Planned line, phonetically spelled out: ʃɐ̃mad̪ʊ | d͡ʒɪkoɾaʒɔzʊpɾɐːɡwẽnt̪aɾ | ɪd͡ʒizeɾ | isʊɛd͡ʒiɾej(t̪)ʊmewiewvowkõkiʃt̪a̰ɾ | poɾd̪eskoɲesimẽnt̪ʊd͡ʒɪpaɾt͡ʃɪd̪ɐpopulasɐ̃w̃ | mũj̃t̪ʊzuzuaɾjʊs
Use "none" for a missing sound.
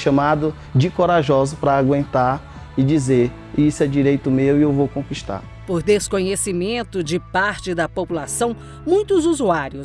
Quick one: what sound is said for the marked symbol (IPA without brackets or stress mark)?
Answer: t̪